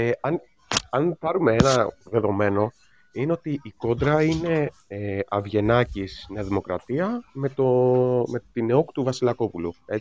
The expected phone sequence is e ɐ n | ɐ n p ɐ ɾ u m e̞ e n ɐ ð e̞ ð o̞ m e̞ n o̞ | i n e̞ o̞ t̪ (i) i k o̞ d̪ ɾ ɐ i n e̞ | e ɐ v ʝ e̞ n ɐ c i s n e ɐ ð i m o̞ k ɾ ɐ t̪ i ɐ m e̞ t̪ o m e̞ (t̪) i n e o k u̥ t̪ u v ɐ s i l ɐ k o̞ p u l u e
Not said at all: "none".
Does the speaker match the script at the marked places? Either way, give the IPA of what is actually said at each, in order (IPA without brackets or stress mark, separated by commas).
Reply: i, t̪